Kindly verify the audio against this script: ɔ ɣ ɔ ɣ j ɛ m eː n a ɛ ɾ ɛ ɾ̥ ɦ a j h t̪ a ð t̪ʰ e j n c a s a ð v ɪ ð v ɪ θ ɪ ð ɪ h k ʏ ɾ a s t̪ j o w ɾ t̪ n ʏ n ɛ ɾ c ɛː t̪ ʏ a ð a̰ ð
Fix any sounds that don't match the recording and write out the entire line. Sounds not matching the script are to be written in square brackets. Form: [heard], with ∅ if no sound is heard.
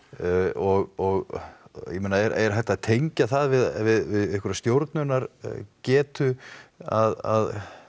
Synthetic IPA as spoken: ɔ ɣ ɔ ɣ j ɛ m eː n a ɛ ɾ ɛ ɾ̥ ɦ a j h t̪ a ð t̪ʰ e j [ɲ] c a [θ] a ð v ɪ ð v ɪ [ð] ɪ ð ɪ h k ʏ ɾ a s t̪ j o w ɾ t̪ n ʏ n [a] ɾ c ɛː t̪ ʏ a ð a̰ ð